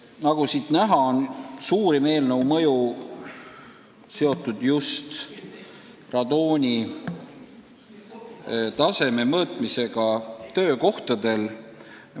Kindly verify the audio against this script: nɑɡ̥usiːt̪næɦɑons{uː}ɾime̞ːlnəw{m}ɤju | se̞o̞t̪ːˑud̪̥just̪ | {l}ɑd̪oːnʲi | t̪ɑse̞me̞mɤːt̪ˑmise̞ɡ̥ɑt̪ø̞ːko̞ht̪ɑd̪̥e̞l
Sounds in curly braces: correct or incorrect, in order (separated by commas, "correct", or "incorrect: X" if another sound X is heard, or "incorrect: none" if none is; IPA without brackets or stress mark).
correct, correct, incorrect: r